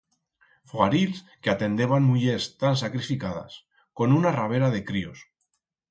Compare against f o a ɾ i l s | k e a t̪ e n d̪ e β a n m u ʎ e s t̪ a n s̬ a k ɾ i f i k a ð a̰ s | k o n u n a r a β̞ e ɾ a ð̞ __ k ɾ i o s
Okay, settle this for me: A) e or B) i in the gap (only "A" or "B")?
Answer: A